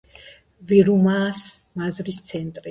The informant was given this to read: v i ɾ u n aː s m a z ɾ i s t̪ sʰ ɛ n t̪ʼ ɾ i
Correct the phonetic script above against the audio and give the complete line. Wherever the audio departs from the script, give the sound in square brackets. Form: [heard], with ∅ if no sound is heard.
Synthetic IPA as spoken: v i ɾ u [m] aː s m a z ɾ i s t̪ sʰ ɛ n t̪ʼ ɾ i